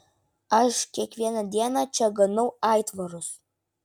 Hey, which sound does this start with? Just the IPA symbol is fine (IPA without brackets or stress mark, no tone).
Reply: ɐ